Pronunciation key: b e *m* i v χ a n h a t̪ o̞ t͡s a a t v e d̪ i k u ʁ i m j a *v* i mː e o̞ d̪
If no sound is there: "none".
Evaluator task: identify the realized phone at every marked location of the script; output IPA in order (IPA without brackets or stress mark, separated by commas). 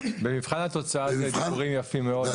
m, f